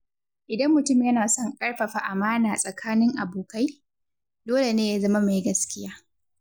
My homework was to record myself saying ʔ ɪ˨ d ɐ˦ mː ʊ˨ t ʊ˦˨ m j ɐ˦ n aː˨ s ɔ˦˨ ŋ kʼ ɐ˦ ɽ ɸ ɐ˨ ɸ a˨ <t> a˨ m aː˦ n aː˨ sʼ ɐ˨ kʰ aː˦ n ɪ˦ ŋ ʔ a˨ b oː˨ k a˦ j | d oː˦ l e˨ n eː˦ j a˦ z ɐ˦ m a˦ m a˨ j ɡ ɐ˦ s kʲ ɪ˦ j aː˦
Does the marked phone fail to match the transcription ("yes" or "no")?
yes